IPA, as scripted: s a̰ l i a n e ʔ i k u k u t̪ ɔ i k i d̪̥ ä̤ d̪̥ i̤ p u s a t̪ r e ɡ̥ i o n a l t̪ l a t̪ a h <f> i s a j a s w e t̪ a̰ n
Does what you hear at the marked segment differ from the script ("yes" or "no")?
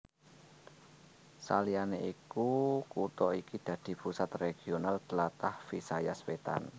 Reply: no